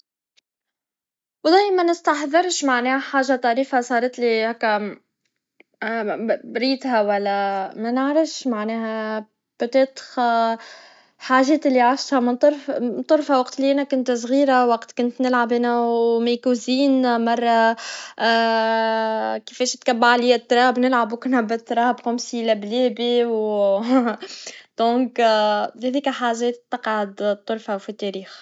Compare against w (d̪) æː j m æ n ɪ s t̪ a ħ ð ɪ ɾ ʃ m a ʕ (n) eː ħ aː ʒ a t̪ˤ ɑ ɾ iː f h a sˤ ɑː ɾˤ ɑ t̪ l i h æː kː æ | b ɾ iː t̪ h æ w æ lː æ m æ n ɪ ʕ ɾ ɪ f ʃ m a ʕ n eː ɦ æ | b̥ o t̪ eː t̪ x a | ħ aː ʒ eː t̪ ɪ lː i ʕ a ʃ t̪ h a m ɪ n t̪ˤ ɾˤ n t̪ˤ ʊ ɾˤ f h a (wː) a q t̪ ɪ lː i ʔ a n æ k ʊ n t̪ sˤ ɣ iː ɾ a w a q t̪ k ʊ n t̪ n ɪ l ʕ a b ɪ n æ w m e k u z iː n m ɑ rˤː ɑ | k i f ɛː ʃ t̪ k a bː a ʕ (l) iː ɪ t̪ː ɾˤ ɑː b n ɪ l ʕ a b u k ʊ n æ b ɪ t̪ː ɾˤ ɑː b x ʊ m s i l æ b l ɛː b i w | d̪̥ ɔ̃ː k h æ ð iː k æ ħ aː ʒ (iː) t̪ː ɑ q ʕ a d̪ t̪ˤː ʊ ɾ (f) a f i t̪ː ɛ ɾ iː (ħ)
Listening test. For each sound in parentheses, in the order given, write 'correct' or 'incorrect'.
correct, correct, incorrect: w, correct, incorrect: ɛː, correct, incorrect: x

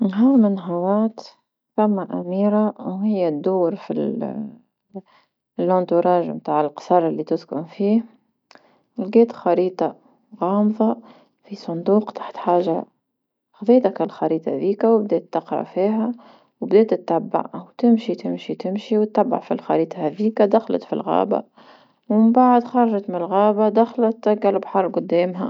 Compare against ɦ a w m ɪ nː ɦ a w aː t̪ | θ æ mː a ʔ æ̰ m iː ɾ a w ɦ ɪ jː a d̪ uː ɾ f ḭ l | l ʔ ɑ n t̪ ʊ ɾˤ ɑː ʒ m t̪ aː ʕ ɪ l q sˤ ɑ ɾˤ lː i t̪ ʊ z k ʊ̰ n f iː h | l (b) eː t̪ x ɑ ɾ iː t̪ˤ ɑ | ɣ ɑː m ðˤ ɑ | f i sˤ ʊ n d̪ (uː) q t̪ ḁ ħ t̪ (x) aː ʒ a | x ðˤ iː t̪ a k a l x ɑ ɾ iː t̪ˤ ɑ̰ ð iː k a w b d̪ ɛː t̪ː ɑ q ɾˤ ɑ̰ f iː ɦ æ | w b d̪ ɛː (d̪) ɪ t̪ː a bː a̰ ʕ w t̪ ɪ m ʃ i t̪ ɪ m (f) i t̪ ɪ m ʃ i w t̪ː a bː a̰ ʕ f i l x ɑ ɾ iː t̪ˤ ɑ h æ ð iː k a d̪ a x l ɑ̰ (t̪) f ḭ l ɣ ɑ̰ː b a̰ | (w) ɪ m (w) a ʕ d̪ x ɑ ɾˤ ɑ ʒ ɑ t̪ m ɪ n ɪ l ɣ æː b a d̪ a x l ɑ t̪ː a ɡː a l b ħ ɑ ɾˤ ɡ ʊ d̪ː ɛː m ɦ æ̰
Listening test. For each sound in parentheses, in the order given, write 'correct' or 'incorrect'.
incorrect: ɡ, correct, incorrect: ħ, incorrect: t̪, incorrect: ʃ, correct, correct, incorrect: b

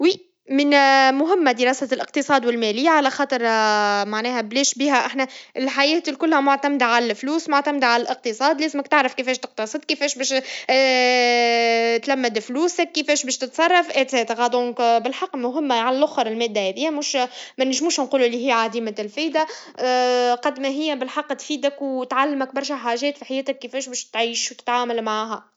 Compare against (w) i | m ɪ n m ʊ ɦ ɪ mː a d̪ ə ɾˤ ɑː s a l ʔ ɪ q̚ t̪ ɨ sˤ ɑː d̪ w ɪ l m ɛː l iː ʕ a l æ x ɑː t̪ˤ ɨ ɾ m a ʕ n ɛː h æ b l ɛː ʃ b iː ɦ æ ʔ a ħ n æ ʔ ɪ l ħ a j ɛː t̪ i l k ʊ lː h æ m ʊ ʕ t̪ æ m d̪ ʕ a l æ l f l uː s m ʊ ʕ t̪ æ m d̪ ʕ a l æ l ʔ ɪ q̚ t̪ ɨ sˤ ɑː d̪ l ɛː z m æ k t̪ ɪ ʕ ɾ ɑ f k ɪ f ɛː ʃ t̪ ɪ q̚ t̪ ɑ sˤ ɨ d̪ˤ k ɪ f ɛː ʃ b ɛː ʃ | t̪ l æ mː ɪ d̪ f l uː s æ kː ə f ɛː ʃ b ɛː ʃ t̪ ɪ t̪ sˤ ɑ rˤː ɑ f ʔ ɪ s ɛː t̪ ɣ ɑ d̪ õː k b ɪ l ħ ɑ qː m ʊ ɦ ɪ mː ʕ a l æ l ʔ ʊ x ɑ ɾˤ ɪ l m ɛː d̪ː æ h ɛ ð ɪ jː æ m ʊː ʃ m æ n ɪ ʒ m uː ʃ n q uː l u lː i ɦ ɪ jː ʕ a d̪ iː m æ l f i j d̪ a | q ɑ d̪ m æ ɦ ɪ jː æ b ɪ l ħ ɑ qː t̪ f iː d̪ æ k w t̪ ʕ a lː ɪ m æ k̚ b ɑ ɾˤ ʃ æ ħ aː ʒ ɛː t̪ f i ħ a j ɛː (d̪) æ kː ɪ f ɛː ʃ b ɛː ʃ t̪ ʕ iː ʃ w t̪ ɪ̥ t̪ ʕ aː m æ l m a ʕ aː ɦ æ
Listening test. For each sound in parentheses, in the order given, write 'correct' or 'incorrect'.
correct, incorrect: t̪

